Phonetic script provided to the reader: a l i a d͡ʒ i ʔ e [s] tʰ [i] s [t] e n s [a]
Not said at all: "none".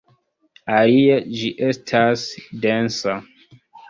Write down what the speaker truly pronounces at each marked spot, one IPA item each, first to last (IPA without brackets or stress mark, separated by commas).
s, a, d, a